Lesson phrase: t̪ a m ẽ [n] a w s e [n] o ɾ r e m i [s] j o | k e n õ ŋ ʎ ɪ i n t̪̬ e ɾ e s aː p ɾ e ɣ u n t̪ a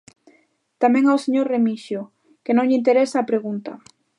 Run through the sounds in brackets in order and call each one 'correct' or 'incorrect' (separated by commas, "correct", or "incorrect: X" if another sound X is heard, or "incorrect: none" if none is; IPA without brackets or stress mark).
incorrect: ŋ, incorrect: ɲ, incorrect: ʃ